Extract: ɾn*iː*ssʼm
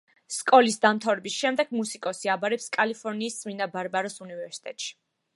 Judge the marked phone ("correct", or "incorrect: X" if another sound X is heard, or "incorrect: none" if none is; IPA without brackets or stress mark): correct